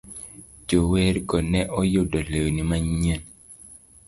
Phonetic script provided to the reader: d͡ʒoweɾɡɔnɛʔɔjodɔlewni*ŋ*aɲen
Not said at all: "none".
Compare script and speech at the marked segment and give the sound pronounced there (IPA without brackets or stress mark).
m